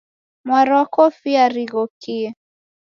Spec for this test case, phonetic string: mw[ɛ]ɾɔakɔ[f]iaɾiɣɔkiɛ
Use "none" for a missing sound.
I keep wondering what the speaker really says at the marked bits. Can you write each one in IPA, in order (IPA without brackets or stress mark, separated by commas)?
a, f